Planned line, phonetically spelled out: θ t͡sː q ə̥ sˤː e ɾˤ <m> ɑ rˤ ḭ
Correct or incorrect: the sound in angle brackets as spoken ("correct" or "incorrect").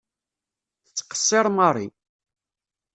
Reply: correct